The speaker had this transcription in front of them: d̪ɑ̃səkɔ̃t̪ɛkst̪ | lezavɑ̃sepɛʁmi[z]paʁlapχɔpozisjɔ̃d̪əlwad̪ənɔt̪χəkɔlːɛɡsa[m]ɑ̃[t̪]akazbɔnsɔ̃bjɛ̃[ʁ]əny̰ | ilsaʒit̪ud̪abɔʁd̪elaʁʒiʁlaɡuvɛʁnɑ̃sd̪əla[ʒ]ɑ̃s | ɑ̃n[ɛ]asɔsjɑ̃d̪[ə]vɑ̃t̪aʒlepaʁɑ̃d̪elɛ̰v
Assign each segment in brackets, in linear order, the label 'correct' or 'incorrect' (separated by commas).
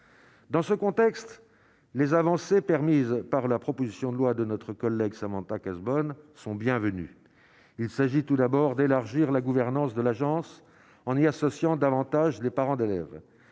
correct, correct, correct, incorrect, correct, incorrect, incorrect